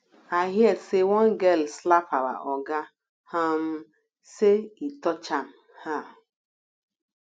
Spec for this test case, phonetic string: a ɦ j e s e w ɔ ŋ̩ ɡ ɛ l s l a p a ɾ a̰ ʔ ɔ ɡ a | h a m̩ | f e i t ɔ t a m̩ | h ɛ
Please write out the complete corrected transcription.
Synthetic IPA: a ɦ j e s e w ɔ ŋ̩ ɡ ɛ l s l a p a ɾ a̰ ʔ ɔ ɡ a | h a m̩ | s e i t ɔ t͡ʃ a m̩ | h a